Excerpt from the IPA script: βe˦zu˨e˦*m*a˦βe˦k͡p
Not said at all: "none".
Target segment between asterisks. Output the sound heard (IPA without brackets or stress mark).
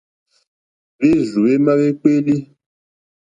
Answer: m